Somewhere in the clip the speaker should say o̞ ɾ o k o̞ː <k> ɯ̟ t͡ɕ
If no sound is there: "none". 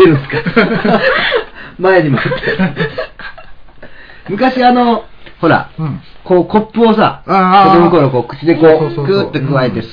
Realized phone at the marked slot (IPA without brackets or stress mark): k